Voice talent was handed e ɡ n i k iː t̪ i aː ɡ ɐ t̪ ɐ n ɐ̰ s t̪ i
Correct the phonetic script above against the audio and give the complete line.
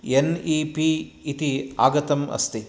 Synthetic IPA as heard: e n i p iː t̪ i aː ɡ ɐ t̪ ɐ m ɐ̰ s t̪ i